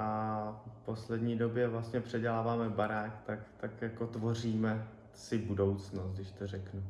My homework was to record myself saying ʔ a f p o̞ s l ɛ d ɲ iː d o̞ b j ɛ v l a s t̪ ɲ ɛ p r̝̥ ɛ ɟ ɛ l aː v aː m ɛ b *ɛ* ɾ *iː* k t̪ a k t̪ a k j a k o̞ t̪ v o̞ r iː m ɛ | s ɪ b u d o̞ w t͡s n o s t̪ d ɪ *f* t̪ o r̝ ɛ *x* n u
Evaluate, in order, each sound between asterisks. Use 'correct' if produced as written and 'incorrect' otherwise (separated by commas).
incorrect, incorrect, incorrect, incorrect